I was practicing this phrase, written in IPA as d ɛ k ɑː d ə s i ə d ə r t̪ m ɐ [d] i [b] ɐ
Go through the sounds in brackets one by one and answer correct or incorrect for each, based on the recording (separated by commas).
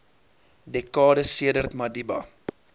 correct, correct